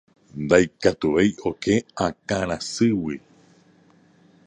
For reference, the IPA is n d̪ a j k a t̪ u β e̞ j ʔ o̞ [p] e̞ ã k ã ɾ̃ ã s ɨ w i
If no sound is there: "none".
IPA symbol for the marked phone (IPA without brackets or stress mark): k